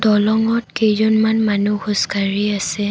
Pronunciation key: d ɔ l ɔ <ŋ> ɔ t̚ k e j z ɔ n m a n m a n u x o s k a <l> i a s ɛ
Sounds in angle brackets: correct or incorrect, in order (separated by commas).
correct, incorrect